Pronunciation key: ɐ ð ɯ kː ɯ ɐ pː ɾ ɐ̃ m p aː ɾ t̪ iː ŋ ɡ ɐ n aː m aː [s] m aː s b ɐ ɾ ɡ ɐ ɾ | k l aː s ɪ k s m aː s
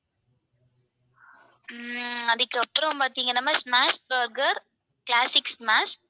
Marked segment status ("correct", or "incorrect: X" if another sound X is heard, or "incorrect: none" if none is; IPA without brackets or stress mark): correct